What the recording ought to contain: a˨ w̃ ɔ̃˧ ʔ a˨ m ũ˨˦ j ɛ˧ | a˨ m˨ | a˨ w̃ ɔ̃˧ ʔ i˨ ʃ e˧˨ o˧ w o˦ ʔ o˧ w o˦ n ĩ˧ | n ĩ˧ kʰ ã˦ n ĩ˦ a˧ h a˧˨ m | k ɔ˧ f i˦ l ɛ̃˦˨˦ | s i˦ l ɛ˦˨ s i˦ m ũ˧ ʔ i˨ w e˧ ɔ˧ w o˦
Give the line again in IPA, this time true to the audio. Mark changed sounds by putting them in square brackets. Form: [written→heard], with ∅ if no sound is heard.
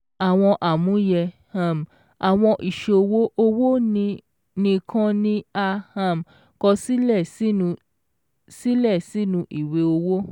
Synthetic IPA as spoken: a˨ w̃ ɔ̃˧ ʔ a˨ m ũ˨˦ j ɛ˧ | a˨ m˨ | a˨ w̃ ɔ̃˧ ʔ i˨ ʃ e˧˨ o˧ w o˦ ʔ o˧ w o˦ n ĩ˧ | n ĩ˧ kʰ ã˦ n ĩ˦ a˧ h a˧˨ m | k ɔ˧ [f→s] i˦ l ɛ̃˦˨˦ | s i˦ l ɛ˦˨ s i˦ [m→n] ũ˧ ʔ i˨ w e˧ [ɔ˧→o˧] w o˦